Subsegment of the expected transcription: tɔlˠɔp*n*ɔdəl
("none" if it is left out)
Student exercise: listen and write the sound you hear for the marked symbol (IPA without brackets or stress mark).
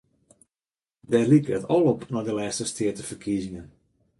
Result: n